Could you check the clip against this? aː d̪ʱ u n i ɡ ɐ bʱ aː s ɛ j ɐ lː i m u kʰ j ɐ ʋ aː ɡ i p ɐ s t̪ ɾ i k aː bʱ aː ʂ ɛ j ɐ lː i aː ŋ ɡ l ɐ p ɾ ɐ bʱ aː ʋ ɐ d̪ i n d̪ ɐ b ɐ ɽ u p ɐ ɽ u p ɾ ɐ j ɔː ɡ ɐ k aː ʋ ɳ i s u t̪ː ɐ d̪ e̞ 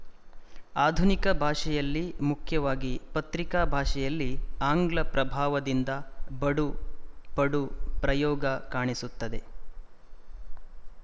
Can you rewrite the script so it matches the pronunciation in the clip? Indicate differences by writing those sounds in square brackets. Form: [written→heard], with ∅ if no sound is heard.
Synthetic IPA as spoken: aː d̪ʱ u n i [ɡ→k] ɐ bʱ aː [s→ʂ] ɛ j ɐ lː i m u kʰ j ɐ ʋ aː ɡ i p ɐ [s→∅] t̪ ɾ i k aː bʱ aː ʂ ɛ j ɐ lː i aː ŋ ɡ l ɐ p ɾ ɐ bʱ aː ʋ ɐ d̪ i n d̪ ɐ b ɐ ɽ u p ɐ ɽ u p ɾ ɐ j ɔː ɡ ɐ k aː [ʋ→∅] ɳ i s u t̪ː ɐ d̪ e̞